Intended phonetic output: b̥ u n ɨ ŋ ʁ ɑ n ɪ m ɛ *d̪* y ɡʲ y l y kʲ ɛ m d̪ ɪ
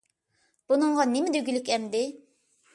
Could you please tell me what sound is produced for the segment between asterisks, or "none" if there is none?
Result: d̪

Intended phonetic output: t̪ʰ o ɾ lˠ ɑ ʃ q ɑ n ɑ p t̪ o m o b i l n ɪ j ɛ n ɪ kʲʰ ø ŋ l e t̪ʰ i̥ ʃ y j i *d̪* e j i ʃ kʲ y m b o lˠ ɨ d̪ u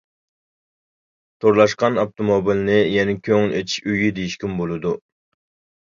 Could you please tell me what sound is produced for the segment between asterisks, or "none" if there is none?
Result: d̪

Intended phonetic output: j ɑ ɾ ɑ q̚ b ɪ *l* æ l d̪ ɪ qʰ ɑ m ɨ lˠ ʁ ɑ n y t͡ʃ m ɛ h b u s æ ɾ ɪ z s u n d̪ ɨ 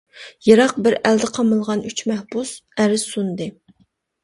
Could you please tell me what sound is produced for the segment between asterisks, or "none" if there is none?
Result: ɾ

